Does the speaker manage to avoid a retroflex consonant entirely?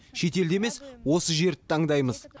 yes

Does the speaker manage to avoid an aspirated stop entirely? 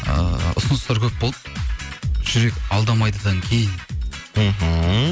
no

